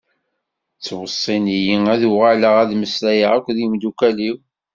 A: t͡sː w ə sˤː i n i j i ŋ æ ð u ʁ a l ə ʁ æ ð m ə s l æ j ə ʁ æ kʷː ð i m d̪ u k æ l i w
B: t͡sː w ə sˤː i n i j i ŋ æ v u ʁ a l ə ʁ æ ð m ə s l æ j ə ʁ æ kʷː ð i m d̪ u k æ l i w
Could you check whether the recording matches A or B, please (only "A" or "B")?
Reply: A